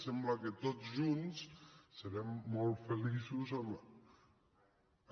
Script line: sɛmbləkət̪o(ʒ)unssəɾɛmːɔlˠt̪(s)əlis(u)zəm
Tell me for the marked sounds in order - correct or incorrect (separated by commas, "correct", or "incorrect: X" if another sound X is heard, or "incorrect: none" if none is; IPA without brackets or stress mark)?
correct, incorrect: f, correct